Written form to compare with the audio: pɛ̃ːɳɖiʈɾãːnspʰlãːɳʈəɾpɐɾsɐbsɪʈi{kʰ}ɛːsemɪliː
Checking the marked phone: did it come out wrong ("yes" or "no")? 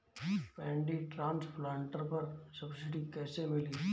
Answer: yes